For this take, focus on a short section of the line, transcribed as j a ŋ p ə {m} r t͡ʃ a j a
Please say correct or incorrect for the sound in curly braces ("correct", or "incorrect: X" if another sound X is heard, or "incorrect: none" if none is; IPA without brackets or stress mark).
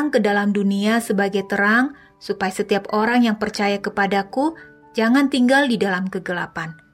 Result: incorrect: none